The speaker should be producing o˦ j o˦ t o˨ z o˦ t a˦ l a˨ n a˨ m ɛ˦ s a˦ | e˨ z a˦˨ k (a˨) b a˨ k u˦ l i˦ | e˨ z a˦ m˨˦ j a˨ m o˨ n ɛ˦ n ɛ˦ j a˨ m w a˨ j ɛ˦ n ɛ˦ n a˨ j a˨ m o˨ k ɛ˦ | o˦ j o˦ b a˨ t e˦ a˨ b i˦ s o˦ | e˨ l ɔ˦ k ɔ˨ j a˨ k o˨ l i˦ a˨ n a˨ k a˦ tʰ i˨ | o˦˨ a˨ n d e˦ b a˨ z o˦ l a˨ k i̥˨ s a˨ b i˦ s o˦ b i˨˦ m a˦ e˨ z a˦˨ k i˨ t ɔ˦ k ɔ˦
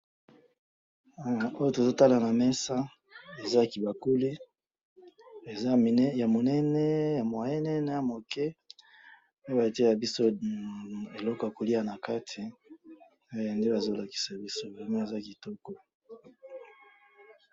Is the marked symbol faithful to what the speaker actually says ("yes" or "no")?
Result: no